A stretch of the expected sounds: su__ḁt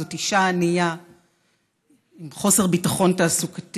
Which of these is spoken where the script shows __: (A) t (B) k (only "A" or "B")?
B